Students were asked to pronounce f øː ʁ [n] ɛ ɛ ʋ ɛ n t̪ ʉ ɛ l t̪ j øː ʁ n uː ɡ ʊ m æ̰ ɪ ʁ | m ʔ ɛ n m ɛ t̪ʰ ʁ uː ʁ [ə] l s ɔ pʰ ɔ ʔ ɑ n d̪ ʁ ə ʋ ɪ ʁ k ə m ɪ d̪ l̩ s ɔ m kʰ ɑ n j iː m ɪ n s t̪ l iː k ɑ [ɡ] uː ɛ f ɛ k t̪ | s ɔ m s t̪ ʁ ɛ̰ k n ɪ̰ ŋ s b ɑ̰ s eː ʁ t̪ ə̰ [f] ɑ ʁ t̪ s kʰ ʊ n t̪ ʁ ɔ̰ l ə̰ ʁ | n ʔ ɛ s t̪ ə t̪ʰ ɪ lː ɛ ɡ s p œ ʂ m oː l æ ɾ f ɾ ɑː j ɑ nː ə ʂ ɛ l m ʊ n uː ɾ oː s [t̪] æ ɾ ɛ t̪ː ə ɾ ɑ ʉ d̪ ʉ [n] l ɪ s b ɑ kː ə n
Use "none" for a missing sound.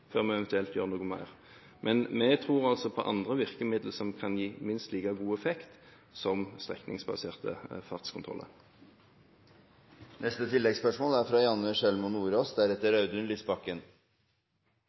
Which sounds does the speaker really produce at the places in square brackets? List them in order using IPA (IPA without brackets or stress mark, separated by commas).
m, ɑ, ɡ, f, d̪, n